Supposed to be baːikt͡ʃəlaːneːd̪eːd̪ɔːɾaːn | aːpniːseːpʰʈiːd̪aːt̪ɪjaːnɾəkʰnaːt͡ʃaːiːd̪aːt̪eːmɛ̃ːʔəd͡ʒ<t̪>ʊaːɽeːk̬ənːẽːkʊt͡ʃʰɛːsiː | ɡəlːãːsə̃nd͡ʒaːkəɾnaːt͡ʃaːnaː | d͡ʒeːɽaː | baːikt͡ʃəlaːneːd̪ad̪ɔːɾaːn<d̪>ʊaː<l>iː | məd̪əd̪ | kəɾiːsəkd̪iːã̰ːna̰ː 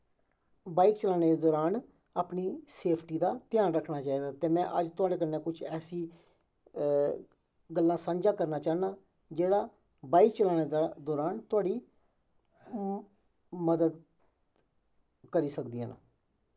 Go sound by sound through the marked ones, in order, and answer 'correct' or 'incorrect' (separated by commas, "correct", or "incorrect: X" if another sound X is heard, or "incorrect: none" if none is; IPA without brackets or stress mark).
correct, incorrect: t̪, incorrect: ɽ